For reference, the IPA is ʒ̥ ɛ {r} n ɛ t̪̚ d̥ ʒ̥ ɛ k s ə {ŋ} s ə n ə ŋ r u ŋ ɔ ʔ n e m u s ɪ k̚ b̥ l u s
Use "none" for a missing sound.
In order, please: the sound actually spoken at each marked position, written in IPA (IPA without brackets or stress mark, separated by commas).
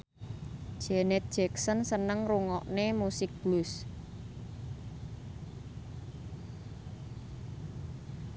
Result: none, n